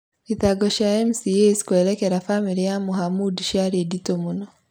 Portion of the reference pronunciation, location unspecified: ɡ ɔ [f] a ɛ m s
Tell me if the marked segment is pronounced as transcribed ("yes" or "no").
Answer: no